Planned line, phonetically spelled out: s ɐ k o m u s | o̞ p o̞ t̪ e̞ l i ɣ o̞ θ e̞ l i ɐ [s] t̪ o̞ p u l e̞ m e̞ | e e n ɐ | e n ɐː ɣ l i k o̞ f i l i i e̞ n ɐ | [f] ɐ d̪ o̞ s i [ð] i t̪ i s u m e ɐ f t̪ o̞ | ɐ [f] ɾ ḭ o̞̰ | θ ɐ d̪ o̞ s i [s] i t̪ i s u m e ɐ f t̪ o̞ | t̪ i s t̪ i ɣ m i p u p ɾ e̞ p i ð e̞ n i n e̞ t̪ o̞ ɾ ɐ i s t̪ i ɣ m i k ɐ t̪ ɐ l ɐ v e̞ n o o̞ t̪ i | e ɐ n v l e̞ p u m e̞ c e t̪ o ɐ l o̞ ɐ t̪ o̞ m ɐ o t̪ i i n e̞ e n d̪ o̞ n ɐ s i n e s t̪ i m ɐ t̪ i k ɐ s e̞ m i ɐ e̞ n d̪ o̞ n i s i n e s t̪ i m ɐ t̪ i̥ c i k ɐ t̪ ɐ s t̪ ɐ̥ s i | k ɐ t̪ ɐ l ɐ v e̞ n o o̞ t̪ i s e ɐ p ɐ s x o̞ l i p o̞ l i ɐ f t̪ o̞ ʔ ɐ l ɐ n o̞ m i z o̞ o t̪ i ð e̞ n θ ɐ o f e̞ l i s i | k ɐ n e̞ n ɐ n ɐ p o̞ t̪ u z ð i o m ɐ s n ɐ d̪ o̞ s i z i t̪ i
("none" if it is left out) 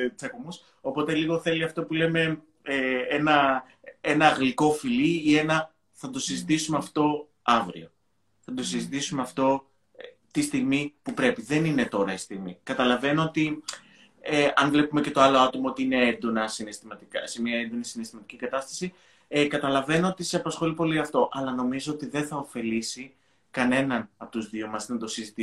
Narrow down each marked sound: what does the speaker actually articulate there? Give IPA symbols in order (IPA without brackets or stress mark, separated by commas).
f, θ, z, v, z